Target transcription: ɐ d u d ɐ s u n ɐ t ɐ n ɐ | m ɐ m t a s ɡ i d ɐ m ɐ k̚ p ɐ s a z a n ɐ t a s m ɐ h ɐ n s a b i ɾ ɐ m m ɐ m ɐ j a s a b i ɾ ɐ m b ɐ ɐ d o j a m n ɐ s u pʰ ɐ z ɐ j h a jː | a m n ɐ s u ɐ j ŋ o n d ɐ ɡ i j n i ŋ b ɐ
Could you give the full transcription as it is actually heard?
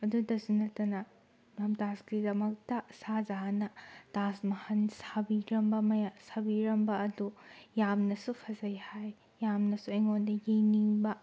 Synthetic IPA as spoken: ɐ d u d ɐ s u n ɐ t ɐ n ɐ | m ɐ m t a s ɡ i d ɐ m ɐ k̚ t ɐ s a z a n ɐ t a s m ɐ h ɐ n s a b i ɾ ɐ m b ɐ m ɐ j a s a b i ɾ ɐ m b ɐ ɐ d u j a m n ɐ s u pʰ ɐ z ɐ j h a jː | a m n ɐ s u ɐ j ŋ o n d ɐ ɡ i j n i ŋ b ɐ